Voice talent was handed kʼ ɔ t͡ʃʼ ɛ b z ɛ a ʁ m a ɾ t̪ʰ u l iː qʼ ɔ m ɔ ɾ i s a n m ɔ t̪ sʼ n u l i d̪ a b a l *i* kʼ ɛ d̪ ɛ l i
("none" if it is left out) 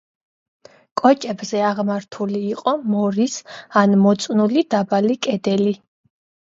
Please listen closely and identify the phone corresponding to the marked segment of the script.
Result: i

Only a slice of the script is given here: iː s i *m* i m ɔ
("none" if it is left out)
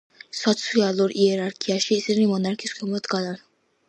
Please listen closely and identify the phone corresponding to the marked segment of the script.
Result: n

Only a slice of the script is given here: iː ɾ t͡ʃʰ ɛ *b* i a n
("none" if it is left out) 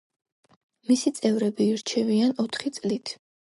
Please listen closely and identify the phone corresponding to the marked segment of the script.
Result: v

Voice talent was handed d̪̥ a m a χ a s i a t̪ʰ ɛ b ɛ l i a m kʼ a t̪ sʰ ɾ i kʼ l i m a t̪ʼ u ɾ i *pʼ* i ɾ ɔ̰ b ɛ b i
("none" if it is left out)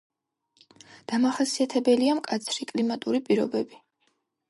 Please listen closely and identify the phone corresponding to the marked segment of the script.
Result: pʼ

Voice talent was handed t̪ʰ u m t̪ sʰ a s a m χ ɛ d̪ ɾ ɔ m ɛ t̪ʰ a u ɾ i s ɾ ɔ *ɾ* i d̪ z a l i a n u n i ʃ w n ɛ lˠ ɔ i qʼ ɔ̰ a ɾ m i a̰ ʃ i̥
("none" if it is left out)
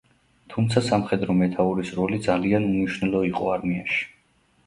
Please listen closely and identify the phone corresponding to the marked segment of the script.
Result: l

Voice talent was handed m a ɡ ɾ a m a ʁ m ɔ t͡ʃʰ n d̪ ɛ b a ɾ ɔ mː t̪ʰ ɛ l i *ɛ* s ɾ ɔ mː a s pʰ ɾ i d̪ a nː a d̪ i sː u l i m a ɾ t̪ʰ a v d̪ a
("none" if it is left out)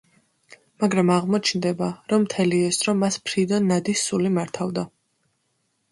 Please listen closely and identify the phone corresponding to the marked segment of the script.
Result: ɛ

